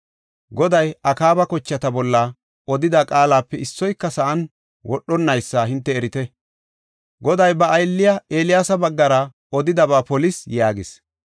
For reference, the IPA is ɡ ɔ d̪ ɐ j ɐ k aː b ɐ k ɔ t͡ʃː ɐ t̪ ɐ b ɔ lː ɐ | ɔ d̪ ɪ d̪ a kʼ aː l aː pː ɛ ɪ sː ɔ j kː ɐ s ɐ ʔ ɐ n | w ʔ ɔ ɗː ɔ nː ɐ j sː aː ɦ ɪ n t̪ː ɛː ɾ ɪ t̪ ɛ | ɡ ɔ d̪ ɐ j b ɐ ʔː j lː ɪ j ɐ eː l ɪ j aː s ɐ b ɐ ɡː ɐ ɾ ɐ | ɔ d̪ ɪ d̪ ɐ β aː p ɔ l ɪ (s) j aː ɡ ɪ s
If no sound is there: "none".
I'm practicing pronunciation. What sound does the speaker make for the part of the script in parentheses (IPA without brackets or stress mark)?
s